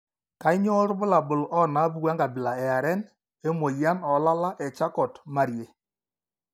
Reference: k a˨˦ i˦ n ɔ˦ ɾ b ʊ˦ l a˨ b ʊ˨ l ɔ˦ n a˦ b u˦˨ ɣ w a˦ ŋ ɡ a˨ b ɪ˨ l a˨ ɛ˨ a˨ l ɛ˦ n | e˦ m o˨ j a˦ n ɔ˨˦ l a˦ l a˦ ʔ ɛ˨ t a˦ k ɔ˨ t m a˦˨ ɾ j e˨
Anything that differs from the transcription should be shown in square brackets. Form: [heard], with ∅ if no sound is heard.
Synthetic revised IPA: k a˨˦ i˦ [ɲ] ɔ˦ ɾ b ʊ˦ l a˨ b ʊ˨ l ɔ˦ n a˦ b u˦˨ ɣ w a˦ ŋ ɡ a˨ b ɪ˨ l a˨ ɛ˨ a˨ [ɾ] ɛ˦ n | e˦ m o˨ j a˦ n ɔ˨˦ l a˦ l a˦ ʔ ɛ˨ [t͡ʃ] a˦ k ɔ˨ t m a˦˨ ɾ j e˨

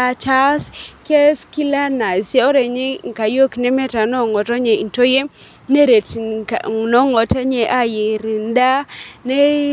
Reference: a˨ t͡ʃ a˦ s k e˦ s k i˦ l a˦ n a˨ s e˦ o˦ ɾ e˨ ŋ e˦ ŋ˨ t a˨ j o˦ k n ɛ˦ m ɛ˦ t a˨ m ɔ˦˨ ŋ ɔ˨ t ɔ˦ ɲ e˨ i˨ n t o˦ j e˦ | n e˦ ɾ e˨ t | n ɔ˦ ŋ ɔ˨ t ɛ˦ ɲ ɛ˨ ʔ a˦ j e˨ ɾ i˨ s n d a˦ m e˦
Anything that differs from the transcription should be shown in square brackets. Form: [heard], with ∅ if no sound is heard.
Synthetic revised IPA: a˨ t͡ʃ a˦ s k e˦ s k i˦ l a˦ n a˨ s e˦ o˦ ɾ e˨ [ɲ] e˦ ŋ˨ [k] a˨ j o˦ k n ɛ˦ m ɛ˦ t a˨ [n] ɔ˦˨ ŋ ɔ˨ t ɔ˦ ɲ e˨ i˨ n t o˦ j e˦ | n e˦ ɾ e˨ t | n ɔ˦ ŋ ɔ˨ t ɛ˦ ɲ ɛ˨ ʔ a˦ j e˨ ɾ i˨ [∅] n d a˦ [n] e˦

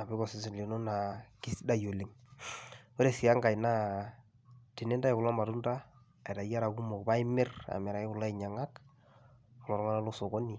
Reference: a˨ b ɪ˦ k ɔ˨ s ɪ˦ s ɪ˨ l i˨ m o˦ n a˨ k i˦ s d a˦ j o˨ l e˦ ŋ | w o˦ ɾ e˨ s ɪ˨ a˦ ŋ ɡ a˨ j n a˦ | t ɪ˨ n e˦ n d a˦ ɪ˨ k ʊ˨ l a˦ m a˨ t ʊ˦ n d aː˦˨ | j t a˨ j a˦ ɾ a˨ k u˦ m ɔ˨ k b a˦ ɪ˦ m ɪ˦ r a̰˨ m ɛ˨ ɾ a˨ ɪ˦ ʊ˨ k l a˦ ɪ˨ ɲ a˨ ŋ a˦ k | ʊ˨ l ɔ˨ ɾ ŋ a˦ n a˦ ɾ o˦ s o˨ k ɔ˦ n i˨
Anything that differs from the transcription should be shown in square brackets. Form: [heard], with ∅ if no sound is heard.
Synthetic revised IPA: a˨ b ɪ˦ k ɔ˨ s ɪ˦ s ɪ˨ l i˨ [n] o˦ n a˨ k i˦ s d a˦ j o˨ l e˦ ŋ | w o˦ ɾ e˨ s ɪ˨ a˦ ŋ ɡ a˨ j n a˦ | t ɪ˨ n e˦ n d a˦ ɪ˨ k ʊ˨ l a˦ m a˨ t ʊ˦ n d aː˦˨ | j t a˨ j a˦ ɾ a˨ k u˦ m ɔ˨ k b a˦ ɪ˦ m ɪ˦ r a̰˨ m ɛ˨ ɾ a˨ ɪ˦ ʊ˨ [∅] l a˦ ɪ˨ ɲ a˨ ŋ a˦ k | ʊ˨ l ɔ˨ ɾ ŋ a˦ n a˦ [l] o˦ s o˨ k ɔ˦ n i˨

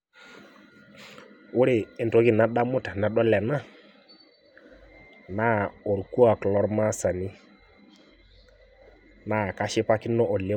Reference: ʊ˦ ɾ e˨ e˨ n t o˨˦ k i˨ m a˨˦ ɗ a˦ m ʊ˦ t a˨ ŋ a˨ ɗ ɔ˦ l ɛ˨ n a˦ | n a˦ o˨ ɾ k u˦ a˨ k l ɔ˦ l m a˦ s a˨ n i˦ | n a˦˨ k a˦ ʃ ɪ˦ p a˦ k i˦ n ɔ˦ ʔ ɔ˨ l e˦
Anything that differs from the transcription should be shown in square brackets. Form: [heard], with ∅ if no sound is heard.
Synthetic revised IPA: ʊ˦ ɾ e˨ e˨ n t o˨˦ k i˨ [n] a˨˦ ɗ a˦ m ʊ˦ t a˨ [n] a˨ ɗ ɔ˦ l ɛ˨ n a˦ | n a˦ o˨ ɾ k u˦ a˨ k l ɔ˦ [ɾ] m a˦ s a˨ n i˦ | n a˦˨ k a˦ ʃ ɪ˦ p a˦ k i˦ n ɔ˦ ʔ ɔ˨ l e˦

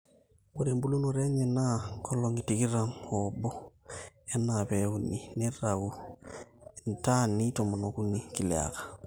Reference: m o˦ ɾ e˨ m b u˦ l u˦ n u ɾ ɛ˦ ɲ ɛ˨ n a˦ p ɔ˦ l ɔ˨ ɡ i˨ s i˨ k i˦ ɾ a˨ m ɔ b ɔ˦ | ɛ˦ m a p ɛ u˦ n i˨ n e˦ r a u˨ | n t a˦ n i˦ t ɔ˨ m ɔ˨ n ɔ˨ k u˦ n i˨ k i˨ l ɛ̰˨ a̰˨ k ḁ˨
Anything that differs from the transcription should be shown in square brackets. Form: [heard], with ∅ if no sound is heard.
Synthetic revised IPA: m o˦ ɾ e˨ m b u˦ l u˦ n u ɾ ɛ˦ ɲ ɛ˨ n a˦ [k] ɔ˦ l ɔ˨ [ŋ] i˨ [t] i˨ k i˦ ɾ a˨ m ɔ b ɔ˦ | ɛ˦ [n] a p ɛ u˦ n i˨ n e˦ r a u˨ | n t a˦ n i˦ t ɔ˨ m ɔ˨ n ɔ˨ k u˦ n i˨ k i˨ l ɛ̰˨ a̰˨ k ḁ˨

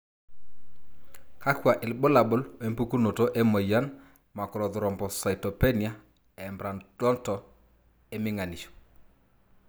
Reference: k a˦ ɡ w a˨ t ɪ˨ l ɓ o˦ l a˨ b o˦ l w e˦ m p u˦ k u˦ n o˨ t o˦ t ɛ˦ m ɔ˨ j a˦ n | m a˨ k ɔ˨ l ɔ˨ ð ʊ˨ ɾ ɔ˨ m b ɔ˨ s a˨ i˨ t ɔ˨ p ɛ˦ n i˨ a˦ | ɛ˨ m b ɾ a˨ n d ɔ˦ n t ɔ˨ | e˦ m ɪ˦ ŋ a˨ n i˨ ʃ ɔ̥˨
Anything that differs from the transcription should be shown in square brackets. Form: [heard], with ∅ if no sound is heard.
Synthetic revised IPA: k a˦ [k] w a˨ [ʔ] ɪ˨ l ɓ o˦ l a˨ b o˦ l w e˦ m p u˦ k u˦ n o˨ t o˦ [ʔ] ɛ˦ m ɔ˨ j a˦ n | m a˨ k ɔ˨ [ɾ] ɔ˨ ð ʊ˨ ɾ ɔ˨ m b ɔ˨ s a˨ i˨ t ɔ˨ p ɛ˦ n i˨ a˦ | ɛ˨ m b ɾ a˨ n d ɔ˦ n t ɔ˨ | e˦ m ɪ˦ ŋ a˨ n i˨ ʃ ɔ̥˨

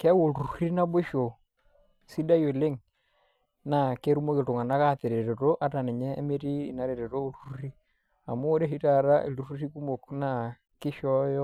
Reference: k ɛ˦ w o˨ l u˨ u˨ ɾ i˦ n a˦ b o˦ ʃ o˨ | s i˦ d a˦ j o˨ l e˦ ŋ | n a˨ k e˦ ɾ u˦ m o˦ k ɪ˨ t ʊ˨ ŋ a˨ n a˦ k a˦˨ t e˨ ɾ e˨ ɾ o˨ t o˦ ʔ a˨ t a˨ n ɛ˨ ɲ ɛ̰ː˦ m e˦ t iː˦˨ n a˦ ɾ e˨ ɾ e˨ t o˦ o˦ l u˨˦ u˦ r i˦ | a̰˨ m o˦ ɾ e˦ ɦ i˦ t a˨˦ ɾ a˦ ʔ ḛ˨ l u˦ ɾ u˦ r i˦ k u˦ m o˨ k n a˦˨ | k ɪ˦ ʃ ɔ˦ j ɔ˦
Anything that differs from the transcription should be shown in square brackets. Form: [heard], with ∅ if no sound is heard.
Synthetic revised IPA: k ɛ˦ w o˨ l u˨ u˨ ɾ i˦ n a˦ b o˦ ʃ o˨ | s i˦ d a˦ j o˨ l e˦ ŋ | n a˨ k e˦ ɾ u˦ m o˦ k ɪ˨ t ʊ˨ ŋ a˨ n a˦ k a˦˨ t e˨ ɾ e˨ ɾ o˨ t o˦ ʔ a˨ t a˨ n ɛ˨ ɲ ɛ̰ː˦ m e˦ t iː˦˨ n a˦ ɾ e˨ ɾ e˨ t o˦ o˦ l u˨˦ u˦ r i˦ | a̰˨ m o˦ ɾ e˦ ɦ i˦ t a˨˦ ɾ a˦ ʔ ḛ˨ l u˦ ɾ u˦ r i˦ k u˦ m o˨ k n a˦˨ | k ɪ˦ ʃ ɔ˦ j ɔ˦

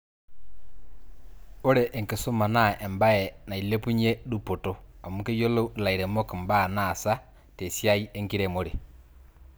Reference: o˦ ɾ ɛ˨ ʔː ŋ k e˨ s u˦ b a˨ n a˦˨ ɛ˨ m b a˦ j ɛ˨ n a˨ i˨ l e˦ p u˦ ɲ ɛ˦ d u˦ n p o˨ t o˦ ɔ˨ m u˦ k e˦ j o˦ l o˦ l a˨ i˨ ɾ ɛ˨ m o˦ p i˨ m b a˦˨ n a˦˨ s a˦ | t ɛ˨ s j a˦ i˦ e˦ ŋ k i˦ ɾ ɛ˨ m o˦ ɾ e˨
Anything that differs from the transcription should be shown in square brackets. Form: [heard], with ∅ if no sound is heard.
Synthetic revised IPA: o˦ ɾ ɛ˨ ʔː ŋ k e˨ s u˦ [m] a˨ n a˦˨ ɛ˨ m b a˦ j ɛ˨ n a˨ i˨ l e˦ p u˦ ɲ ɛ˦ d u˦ [∅] p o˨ t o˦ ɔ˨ m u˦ k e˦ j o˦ l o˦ l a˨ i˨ ɾ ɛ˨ m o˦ [k] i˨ m b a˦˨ n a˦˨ s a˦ | t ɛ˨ s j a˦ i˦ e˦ ŋ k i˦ ɾ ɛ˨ m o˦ ɾ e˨

